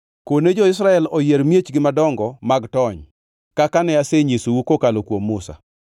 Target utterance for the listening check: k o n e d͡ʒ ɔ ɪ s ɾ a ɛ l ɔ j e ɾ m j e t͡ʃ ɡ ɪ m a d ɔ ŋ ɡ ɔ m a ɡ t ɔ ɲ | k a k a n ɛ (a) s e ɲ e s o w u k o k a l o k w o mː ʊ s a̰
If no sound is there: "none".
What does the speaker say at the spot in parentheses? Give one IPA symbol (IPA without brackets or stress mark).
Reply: a